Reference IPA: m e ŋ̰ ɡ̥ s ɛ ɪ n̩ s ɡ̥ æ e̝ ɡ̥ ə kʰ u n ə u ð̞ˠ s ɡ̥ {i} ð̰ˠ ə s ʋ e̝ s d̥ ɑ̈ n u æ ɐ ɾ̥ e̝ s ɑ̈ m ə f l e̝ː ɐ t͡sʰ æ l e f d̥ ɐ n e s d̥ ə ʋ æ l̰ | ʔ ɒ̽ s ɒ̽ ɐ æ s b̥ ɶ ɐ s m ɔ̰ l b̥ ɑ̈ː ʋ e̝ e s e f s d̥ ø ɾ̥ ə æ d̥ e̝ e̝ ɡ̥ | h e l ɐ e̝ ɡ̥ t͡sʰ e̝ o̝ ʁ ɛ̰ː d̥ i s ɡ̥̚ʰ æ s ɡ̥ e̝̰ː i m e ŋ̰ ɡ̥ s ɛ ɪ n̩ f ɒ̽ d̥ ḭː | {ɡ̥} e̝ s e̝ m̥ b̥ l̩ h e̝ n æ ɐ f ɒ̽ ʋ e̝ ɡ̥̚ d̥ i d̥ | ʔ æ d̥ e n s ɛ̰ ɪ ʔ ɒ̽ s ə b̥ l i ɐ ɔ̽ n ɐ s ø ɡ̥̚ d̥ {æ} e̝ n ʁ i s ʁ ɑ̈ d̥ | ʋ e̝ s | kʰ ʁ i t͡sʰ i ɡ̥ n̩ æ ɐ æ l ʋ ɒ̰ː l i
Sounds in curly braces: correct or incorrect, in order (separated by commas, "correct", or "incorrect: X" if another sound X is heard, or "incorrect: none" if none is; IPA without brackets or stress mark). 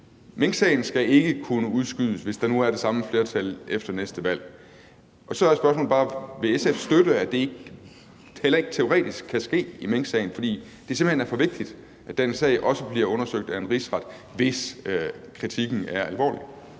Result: incorrect: y, incorrect: d̥, correct